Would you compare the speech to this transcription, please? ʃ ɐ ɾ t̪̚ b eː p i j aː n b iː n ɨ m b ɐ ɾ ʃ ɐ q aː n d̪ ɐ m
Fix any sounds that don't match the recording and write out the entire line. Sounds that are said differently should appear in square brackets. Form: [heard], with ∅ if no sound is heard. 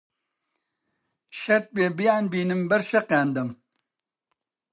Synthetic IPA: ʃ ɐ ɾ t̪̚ b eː [b] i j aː n b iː n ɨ m b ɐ ɾ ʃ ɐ q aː n d̪ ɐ m